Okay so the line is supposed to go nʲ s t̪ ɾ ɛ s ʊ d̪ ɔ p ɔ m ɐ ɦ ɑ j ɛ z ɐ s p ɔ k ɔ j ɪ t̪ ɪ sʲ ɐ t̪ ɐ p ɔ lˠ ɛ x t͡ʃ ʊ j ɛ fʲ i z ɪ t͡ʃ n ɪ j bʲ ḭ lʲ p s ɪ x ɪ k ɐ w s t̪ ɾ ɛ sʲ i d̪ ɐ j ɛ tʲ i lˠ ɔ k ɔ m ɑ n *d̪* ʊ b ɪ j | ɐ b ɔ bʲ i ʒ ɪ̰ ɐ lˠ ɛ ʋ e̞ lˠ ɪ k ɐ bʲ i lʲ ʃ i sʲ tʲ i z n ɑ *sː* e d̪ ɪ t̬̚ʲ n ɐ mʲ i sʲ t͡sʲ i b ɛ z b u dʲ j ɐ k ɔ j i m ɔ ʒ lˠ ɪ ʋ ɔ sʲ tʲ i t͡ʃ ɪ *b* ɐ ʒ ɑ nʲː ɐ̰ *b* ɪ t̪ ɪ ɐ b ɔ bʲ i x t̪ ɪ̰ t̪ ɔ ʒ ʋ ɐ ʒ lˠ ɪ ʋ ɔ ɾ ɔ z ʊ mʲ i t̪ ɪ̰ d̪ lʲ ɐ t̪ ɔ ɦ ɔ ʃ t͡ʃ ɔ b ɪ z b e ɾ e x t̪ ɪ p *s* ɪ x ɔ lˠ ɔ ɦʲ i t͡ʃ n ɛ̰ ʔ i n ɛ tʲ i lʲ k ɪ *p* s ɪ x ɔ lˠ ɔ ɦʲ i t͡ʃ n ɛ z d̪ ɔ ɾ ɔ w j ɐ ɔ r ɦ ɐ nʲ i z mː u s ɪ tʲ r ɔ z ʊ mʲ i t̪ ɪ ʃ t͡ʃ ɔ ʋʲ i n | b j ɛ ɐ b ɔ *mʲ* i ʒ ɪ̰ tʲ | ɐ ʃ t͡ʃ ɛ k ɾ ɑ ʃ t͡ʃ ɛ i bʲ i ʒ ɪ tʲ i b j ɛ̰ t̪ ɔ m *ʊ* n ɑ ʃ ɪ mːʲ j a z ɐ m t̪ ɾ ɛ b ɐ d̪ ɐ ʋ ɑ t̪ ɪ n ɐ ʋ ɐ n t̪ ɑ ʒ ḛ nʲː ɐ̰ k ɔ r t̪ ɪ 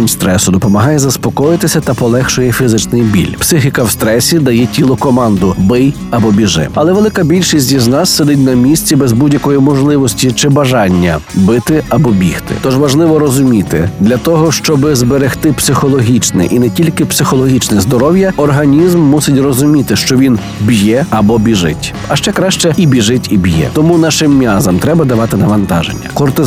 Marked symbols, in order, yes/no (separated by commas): yes, yes, yes, yes, yes, yes, no, no